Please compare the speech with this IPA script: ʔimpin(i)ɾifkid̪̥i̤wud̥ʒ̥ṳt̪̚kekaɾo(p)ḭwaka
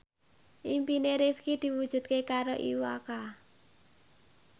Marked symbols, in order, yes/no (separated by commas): no, no